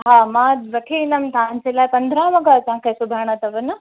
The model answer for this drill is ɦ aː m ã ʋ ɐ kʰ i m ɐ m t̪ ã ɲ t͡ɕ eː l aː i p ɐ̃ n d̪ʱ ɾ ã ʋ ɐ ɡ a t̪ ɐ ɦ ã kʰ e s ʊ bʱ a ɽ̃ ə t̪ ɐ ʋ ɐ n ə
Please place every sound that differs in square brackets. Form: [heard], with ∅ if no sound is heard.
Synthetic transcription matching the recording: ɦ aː m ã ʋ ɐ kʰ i [n] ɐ m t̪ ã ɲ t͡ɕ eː l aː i p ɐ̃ n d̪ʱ ɾ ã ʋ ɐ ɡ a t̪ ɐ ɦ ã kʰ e s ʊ bʱ a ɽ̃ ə t̪ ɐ ʋ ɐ n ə